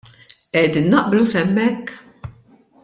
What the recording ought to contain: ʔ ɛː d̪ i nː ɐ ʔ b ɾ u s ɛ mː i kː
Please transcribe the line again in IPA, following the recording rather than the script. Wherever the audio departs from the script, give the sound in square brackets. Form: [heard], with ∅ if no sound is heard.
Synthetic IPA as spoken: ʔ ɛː d̪ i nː ɐ ʔ b [l] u s ɛ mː [ɛ] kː